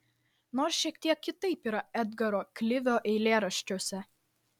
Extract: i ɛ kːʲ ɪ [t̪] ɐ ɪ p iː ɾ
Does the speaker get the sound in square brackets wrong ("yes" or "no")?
no